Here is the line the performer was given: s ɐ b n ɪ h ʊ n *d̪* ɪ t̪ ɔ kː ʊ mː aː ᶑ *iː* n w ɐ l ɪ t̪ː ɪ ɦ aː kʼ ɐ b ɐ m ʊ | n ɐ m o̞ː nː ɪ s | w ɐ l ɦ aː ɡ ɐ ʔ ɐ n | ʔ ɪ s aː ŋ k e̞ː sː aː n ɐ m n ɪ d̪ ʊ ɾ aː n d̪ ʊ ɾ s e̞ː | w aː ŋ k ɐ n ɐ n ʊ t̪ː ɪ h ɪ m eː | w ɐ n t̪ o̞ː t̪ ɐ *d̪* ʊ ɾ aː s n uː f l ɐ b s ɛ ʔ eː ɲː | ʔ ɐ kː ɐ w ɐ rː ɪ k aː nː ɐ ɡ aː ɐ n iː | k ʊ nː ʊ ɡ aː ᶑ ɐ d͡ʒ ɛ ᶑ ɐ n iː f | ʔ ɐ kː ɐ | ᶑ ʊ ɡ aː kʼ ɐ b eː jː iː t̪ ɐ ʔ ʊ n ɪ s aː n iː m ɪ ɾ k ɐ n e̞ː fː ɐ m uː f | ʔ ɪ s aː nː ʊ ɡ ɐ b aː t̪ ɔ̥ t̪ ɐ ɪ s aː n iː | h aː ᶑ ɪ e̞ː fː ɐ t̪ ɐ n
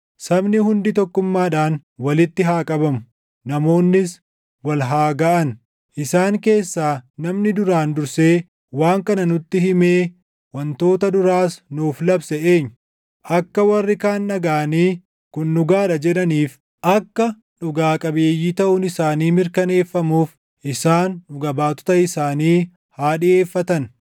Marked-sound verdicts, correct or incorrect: correct, incorrect: aː, correct

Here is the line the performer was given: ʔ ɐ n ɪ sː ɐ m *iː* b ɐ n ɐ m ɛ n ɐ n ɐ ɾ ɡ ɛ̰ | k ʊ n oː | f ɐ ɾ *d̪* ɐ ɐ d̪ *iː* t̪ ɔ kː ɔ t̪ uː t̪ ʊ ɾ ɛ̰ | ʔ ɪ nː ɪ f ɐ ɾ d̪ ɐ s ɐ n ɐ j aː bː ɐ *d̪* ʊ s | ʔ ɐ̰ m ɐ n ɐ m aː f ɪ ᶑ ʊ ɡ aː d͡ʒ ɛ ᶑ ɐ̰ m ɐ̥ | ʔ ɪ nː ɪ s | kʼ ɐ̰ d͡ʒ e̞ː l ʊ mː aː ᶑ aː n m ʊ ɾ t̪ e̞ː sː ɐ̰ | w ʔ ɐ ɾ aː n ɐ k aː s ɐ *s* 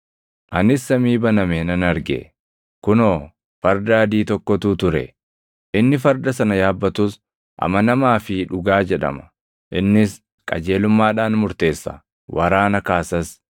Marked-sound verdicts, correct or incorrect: correct, correct, correct, incorrect: t̪, correct

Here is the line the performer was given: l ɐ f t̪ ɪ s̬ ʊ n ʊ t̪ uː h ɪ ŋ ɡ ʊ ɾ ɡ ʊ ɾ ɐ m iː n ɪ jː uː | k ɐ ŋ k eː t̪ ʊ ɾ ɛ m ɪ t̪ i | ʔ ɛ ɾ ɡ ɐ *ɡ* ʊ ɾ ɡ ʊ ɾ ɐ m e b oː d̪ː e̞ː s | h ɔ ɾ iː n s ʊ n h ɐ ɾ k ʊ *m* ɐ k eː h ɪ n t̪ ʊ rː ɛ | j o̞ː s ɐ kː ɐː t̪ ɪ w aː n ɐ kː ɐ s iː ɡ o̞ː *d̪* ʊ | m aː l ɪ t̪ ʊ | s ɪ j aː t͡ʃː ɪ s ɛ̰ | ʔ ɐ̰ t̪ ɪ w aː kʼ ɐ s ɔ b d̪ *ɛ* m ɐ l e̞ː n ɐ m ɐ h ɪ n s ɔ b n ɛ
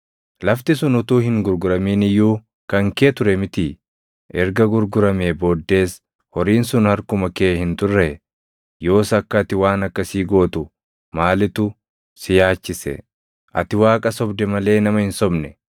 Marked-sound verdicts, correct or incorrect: correct, correct, incorrect: t̪, correct

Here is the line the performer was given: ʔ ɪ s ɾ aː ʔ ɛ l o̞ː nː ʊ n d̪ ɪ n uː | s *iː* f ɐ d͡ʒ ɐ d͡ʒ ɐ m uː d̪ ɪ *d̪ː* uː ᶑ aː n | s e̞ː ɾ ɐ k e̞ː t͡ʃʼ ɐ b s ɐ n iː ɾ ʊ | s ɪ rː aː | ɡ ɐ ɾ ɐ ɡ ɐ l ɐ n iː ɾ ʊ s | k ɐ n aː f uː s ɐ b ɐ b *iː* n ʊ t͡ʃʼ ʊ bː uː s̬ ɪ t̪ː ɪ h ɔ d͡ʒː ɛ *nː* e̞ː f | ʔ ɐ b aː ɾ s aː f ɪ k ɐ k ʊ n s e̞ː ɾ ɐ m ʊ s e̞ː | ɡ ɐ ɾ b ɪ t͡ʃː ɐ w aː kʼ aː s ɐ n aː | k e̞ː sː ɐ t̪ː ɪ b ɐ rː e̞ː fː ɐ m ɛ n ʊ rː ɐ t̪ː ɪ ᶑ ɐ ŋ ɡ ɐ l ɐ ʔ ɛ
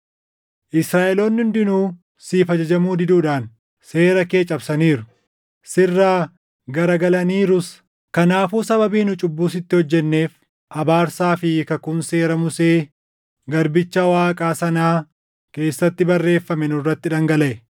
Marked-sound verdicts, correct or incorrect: correct, incorrect: d̪, correct, correct

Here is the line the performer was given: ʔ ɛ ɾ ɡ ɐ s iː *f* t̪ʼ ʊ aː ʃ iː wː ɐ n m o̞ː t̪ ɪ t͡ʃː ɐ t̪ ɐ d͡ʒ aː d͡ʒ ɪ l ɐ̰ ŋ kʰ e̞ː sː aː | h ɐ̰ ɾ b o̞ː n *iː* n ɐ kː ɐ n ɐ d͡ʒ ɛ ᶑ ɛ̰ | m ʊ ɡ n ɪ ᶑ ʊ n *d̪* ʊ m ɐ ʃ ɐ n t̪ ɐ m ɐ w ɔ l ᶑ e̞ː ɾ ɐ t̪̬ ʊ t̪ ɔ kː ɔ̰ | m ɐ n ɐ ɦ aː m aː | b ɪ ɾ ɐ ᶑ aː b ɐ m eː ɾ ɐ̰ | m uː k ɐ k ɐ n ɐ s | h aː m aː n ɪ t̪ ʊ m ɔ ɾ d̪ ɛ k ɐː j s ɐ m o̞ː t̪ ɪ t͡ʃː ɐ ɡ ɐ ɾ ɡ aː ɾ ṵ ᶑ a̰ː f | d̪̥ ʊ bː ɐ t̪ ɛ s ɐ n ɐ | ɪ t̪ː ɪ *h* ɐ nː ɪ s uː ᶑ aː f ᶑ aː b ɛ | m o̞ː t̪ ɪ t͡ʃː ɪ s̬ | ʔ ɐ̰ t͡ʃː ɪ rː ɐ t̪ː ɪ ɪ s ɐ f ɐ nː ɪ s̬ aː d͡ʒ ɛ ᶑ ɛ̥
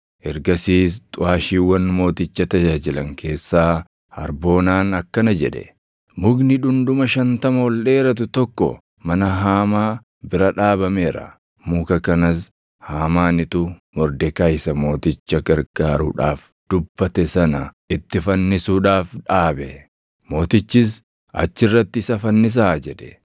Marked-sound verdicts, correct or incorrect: incorrect: s, incorrect: aː, correct, incorrect: f

